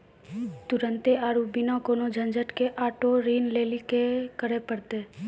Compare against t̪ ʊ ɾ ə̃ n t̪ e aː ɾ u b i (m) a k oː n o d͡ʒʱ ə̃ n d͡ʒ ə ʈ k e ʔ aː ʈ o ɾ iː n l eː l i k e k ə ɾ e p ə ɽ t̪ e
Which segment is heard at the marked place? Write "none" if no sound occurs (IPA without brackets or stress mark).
n